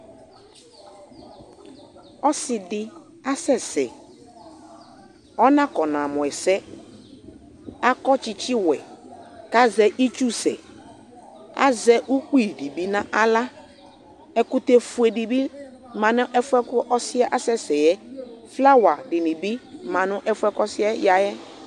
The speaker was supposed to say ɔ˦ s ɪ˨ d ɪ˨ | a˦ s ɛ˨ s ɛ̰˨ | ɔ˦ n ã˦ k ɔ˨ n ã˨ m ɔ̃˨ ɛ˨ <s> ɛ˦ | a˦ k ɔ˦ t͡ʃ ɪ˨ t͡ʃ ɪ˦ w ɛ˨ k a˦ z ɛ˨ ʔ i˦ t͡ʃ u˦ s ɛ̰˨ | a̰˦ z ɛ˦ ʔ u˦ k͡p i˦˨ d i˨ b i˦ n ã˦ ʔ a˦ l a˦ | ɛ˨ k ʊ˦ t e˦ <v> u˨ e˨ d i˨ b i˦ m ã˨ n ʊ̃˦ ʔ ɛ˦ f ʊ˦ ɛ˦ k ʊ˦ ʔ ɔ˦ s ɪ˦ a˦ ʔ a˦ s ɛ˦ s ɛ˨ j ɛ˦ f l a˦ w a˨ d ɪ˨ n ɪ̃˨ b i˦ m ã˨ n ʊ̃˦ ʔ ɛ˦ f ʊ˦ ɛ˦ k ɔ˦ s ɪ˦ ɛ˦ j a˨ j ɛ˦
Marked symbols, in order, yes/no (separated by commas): yes, no